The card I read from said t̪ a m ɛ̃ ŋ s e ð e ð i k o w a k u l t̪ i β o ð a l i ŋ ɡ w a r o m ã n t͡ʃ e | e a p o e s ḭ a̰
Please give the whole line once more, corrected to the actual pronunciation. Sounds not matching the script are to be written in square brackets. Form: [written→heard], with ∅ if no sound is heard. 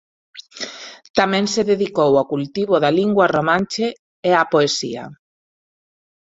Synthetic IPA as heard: t̪ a m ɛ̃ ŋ s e ð e ð i k o w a k u l t̪ i β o ð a l i ŋ ɡ w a r o m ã n t͡ʃ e | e a p o e s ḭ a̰